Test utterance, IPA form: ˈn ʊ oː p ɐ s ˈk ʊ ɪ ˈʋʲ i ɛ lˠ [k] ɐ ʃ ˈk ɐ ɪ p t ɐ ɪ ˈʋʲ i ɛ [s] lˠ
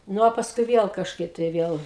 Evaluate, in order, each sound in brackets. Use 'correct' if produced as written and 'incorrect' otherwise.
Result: correct, incorrect: none

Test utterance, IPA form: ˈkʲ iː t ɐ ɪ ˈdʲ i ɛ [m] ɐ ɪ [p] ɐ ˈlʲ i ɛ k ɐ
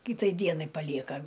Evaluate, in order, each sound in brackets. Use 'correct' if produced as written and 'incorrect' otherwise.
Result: incorrect: n, correct

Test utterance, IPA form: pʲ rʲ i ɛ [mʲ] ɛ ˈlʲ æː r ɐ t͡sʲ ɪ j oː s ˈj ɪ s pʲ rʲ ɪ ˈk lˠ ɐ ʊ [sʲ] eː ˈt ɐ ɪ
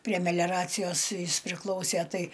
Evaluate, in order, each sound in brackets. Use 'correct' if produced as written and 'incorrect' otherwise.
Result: correct, correct

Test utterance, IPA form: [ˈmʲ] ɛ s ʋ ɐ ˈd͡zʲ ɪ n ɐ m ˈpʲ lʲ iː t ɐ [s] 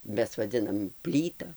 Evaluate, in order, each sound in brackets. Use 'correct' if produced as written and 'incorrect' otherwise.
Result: correct, incorrect: none

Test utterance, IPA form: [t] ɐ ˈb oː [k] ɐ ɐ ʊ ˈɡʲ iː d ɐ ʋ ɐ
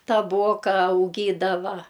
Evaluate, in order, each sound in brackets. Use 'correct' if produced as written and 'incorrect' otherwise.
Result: correct, correct

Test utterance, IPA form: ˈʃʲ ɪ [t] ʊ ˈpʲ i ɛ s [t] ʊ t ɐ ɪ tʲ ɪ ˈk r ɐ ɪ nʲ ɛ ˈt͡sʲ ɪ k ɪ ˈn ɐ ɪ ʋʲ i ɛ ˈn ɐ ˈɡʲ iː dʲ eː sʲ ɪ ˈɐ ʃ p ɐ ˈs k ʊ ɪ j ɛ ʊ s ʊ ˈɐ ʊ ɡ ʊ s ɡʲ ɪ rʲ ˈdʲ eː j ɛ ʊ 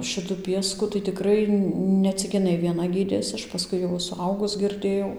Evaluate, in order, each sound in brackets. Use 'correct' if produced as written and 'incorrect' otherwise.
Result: correct, incorrect: k

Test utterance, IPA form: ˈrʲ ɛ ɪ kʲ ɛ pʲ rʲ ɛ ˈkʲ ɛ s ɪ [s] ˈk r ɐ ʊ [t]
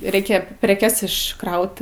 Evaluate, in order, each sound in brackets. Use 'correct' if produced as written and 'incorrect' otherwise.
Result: incorrect: ʃ, correct

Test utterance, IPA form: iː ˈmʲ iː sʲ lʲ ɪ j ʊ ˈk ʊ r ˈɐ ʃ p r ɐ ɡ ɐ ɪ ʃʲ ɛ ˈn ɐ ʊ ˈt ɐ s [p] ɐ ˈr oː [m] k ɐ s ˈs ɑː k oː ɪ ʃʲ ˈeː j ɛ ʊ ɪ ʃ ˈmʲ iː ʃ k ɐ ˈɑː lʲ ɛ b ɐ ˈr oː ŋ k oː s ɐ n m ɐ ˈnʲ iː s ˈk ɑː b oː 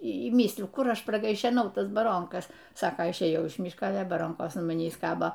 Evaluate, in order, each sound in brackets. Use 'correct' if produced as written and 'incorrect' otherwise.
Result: incorrect: b, incorrect: ŋ

